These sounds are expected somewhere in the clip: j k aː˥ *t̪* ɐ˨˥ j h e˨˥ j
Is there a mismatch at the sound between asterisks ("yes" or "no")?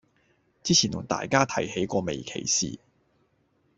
yes